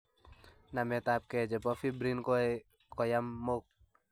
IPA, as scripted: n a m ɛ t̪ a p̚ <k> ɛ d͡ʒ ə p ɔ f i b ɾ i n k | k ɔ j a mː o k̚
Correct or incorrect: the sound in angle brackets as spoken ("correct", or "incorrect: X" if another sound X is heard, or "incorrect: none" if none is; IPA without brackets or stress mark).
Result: correct